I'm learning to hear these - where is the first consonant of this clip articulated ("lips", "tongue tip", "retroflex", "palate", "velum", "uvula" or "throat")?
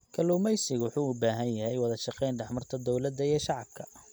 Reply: velum